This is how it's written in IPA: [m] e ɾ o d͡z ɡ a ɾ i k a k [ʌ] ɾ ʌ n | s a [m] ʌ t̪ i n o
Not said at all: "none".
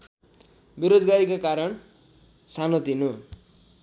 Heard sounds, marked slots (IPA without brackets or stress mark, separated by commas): b, a, n